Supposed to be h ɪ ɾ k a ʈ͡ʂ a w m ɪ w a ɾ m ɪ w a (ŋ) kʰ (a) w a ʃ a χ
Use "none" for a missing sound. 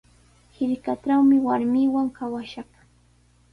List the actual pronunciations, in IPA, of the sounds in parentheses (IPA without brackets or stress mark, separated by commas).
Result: ŋ, a